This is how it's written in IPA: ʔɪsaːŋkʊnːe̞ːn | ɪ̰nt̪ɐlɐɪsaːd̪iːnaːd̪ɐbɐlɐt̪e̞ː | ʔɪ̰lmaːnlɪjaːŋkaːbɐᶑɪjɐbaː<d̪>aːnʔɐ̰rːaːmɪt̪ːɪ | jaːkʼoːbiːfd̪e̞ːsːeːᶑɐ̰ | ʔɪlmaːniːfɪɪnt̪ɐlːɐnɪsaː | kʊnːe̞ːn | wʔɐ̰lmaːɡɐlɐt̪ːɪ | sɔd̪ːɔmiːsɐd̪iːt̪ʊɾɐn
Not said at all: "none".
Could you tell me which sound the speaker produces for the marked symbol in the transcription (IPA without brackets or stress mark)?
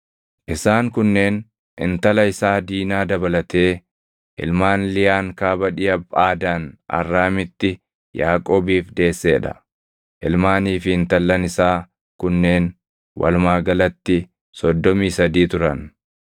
d̪